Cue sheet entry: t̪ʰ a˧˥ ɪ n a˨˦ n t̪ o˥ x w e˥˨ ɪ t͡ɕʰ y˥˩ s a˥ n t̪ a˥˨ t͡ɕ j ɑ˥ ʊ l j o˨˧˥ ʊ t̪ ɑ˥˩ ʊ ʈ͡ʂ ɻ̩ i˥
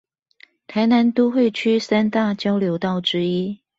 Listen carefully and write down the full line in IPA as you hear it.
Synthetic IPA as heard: t̪ʰ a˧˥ ɪ n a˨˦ n t̪ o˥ x w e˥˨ ɪ t͡ɕʰ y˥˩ s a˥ n t̪ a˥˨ t͡ɕ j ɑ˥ ʊ l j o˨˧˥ ʊ t̪ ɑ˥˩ ʊ ʈ͡ʂ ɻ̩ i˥